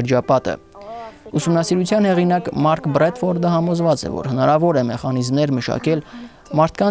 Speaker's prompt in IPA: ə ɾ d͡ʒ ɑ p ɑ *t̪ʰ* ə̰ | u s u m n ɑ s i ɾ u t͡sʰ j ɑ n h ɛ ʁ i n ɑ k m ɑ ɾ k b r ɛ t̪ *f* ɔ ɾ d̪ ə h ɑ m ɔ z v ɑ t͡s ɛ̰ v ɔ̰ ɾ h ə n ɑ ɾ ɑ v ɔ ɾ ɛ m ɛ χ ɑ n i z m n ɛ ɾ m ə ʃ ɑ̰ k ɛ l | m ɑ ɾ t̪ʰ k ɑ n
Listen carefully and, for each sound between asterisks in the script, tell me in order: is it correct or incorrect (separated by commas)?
incorrect, correct